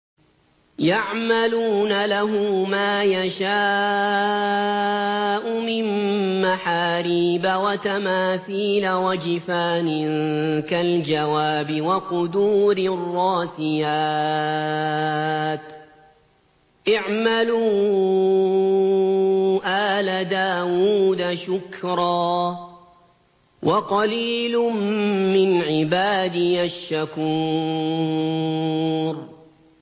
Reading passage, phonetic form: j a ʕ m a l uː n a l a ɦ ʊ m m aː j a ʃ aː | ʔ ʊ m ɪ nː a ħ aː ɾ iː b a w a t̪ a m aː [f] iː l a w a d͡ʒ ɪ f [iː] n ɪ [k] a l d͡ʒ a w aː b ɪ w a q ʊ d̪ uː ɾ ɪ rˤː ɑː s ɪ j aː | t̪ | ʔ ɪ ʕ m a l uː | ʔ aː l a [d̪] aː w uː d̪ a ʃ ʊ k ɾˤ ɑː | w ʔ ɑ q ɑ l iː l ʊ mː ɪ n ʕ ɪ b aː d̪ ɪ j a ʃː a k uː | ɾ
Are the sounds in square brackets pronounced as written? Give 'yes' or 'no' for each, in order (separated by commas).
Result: no, no, yes, yes